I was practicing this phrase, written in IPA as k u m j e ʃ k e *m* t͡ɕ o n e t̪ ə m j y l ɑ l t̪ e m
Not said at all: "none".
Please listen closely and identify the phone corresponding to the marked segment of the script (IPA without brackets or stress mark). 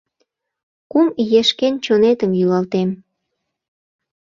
n